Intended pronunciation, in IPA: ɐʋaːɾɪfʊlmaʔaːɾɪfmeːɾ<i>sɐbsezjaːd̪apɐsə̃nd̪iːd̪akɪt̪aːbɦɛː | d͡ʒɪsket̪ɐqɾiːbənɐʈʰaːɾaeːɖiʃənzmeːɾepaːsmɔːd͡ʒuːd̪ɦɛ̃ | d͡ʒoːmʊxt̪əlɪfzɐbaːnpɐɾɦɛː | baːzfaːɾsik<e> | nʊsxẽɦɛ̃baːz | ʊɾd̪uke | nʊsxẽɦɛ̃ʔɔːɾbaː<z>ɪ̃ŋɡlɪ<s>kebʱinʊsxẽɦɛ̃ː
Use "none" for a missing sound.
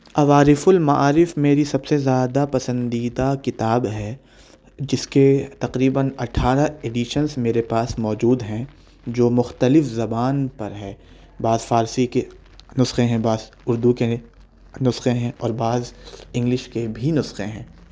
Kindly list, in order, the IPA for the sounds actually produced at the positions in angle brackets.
i, e, z, ʃ

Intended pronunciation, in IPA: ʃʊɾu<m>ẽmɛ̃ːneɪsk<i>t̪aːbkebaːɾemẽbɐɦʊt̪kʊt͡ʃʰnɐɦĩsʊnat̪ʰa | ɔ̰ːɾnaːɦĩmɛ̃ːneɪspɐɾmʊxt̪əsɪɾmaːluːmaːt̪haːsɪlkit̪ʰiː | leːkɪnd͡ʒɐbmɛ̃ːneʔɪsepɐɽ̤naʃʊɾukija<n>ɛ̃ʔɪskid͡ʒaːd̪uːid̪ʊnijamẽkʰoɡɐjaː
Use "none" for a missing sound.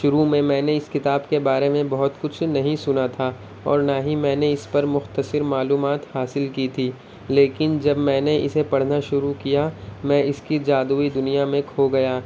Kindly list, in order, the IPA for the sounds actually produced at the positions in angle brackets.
m, ɪ, m

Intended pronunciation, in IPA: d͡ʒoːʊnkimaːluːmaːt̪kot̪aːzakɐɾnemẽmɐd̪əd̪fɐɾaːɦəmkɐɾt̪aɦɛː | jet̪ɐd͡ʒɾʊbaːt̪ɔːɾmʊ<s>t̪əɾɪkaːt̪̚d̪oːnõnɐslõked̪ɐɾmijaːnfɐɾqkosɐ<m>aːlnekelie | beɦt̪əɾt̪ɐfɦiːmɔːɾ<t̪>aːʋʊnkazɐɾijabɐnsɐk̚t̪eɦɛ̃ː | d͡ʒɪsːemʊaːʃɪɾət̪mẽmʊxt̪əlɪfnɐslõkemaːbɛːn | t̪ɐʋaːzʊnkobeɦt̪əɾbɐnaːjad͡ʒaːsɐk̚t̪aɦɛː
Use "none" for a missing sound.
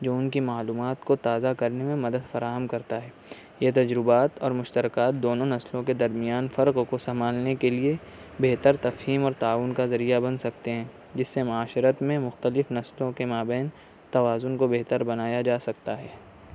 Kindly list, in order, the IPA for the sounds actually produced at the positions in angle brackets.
ʃ, m, t̪

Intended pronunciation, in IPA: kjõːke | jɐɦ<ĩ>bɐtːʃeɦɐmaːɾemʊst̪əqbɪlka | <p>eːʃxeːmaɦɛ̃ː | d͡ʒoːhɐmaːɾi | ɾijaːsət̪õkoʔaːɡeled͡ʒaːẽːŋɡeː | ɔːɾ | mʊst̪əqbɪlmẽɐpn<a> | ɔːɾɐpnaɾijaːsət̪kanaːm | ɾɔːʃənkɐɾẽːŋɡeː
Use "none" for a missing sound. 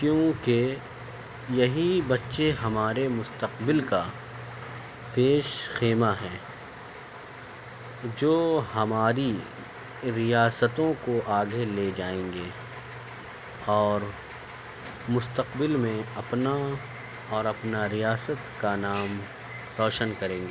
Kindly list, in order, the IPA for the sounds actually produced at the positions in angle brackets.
i, p, a

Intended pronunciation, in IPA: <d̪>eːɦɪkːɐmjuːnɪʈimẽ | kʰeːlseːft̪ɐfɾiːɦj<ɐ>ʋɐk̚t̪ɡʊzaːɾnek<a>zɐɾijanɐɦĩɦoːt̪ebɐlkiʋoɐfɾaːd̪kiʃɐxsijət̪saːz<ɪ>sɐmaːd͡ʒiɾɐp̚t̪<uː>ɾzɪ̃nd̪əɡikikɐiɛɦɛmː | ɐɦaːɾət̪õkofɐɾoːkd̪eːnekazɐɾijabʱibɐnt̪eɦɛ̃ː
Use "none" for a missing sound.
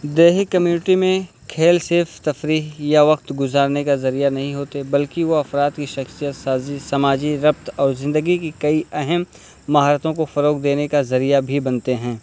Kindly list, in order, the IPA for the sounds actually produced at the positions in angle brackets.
d̪, a, a, i, ɔː

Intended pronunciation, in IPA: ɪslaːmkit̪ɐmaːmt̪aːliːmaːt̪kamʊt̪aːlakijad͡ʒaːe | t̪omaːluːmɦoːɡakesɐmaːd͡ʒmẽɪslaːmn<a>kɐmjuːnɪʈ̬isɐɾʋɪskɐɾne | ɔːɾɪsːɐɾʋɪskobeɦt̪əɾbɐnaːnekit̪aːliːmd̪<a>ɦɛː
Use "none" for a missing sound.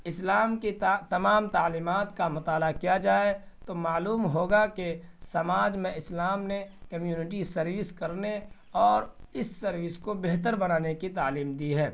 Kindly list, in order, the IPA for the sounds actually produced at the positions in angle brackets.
e, i

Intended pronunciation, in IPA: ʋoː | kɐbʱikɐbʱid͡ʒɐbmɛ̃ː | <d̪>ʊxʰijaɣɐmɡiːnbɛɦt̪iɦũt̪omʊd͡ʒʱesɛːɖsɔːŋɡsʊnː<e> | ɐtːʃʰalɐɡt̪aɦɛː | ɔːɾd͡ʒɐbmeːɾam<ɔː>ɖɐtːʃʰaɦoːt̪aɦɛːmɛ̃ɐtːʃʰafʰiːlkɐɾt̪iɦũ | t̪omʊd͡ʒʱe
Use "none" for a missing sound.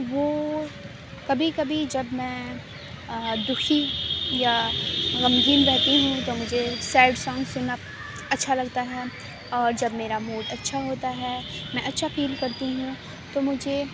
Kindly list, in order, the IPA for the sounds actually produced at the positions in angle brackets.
d̪, a, uː

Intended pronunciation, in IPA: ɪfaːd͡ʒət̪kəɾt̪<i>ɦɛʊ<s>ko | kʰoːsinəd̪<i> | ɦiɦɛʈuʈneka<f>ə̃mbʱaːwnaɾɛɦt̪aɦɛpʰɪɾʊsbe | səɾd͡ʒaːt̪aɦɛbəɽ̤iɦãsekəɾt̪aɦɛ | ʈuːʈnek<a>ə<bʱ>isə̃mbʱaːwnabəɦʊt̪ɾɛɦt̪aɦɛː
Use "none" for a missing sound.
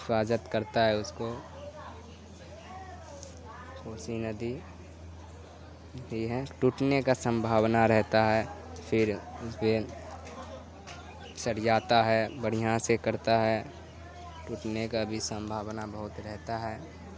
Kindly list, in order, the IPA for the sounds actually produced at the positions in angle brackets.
a, s, i, s, a, bʱ

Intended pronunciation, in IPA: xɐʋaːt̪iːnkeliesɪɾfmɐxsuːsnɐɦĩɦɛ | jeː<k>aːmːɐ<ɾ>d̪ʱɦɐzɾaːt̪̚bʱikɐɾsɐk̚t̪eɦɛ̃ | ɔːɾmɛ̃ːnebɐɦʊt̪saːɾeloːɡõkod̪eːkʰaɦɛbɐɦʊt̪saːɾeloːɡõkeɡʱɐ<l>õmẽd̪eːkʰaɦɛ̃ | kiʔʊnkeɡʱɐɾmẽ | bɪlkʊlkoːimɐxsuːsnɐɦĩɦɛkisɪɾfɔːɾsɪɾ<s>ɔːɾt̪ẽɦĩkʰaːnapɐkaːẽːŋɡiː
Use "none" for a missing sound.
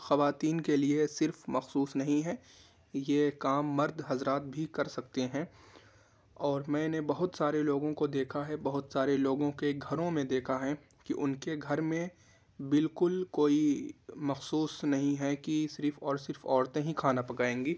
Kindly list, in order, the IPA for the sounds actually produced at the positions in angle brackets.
k, ɾ, ɾ, f

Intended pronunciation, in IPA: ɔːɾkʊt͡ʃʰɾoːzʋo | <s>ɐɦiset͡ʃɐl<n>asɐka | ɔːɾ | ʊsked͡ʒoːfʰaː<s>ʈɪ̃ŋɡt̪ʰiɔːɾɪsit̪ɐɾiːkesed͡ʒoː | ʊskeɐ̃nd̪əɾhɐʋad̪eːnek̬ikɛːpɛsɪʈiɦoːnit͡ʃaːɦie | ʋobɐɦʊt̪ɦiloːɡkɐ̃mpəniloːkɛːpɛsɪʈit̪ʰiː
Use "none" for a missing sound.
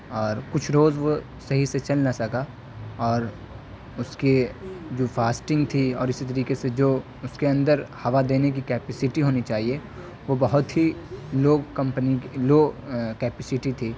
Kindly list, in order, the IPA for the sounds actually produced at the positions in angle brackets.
s, n, s

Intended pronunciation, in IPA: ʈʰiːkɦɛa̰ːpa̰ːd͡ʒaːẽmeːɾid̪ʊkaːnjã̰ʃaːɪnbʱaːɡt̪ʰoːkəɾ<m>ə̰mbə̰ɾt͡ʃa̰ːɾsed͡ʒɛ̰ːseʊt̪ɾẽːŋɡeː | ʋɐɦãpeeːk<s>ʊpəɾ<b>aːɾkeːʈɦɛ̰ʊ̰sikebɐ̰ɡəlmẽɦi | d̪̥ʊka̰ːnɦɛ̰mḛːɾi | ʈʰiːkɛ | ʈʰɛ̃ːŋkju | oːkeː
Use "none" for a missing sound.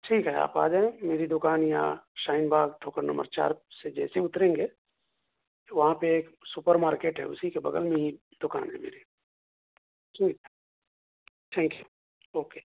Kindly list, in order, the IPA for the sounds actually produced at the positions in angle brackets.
n, s, m

